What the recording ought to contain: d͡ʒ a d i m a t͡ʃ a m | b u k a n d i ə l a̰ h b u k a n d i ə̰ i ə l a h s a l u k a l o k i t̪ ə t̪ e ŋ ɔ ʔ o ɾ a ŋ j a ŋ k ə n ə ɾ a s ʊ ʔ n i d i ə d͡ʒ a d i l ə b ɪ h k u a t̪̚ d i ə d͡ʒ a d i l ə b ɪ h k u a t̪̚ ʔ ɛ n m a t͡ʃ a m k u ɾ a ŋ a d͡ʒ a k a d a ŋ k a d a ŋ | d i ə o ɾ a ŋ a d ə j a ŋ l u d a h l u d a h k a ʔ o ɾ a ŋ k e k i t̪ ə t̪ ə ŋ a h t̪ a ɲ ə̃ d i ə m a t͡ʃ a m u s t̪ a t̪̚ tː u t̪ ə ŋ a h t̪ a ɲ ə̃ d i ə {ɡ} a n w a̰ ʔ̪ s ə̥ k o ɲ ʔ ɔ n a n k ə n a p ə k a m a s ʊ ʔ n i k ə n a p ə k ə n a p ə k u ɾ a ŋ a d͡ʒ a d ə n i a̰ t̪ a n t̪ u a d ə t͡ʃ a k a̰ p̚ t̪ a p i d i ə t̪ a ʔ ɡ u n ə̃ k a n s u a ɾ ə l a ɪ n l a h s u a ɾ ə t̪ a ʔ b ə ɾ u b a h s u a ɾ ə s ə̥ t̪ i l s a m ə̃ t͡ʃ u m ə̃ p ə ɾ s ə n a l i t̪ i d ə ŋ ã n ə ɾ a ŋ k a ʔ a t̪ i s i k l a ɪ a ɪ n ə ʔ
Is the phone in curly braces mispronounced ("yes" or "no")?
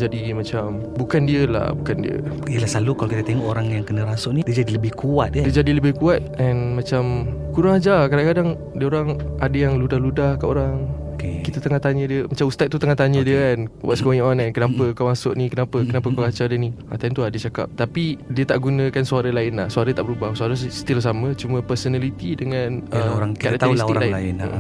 yes